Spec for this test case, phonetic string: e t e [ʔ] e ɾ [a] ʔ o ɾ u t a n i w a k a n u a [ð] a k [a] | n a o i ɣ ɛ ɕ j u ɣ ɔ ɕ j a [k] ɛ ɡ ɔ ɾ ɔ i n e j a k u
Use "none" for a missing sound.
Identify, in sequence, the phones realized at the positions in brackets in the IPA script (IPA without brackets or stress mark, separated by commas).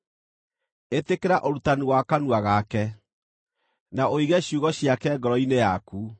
k, a, ɣ, ɛ, k